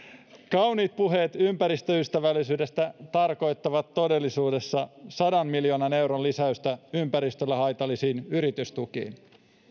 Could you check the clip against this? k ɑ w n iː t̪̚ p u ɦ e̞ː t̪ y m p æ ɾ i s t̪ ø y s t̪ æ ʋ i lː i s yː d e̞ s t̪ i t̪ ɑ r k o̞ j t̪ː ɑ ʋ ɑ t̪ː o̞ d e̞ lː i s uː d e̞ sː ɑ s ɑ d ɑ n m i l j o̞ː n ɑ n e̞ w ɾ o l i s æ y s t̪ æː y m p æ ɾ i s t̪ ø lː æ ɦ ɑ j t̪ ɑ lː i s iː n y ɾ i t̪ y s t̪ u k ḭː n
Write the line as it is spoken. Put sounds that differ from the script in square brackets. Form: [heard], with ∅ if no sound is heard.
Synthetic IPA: k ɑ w n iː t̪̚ p u ɦ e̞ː t̪ y m p æ ɾ i s t̪ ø y s t̪ æ ʋ [æ] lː i s yː d e̞ s t̪ [æ] t̪ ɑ r k o̞ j t̪ː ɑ ʋ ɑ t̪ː o̞ d e̞ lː i s uː d e̞ sː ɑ s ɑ d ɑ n m i l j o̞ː n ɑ n e̞ w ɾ o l i s æ y s t̪ [æ] y m p æ ɾ i s t̪ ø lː æ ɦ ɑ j t̪ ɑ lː i s iː n y ɾ i t̪ y s t̪ u k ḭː n